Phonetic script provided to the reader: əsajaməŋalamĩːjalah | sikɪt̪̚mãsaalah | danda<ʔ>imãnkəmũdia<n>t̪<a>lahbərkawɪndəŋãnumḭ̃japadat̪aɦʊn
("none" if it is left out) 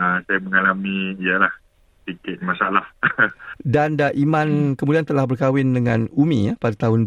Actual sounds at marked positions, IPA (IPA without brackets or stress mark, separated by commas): ʔ, n, ə